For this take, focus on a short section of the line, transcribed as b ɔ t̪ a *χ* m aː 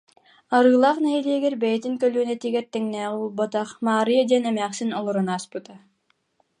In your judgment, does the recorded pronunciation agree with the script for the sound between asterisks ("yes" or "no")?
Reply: yes